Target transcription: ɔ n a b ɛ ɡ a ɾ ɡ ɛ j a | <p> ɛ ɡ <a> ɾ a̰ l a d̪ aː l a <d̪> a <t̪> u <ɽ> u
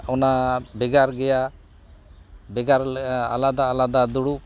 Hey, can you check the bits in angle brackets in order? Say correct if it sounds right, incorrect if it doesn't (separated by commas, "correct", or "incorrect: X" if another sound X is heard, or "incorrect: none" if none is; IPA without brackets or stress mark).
incorrect: b, correct, correct, incorrect: d̪, correct